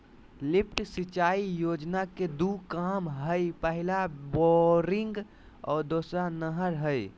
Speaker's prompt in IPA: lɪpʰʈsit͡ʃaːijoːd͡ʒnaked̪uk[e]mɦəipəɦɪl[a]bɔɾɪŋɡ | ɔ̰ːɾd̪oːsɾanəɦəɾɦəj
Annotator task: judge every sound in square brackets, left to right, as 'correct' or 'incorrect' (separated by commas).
incorrect, correct